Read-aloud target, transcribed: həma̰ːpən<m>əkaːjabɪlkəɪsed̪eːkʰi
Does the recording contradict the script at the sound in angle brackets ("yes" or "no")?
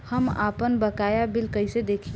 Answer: yes